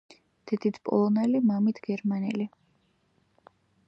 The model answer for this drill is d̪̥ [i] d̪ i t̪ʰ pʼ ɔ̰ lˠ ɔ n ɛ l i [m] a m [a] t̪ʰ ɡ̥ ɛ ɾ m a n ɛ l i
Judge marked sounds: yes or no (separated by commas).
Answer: no, yes, no